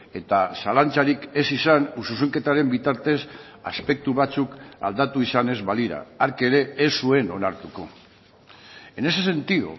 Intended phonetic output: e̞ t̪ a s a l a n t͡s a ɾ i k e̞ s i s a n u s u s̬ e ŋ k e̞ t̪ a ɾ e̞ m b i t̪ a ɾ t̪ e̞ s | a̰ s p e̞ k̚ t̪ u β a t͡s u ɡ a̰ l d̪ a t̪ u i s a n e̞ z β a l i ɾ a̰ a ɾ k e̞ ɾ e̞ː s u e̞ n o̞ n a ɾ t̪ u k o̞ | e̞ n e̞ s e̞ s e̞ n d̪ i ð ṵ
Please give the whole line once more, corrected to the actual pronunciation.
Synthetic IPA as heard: e̞ t̪ a s a l a n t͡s a ɾ i k e̞ s i s a n u s u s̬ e ŋ k e̞ t̪ a ɾ e̞ m b i t̪ a ɾ t̪ e̞ s | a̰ s p e̞ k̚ t̪ u β a t͡s u k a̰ l d̪ a t̪ u i s a n e̞ z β a l i ɾ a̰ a ɾ k e̞ ɾ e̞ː s u e̞ n o̞ n a ɾ t̪ u k o̞ | e̞ n e̞ s e̞ s e̞ n t̪ i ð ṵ